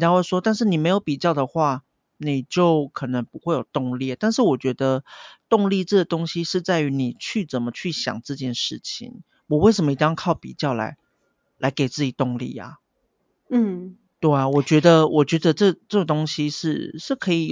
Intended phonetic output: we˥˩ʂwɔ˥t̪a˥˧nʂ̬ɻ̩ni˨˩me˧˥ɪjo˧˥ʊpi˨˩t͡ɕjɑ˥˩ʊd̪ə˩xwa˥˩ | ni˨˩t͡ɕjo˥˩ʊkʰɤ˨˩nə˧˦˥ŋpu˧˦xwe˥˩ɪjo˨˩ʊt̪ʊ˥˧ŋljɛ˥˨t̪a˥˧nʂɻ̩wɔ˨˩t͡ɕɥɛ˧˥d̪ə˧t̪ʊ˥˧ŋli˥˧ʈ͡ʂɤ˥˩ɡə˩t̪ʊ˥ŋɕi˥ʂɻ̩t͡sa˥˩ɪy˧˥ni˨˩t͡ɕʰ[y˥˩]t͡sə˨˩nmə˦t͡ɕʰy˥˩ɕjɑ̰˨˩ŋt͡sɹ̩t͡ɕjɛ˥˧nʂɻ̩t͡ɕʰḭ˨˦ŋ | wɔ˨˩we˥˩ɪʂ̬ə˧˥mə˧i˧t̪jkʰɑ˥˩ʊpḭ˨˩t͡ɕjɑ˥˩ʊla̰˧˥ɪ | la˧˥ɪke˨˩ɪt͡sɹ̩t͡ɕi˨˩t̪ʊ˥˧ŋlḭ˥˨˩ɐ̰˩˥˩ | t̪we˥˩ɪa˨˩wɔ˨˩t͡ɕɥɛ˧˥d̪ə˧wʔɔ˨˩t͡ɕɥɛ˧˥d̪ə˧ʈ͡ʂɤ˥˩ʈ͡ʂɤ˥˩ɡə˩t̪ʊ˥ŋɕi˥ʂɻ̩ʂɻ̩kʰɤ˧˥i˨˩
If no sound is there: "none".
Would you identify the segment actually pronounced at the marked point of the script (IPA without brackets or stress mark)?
y˥˩